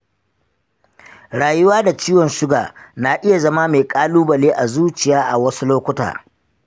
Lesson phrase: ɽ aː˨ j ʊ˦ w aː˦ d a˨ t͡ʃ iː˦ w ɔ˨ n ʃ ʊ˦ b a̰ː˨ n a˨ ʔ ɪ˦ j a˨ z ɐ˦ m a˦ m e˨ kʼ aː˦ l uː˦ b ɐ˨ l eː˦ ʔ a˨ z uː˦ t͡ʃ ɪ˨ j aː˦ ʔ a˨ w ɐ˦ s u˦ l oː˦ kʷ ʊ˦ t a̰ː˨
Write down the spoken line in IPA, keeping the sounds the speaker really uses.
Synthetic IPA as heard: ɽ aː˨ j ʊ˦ w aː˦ d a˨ t͡ʃ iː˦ w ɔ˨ n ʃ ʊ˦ ɡ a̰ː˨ n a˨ ʔ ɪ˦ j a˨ z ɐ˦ m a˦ m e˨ kʼ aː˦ l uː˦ b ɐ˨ l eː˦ ʔ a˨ z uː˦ t͡ʃ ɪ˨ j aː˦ ʔ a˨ w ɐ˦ s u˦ l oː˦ kʷ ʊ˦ t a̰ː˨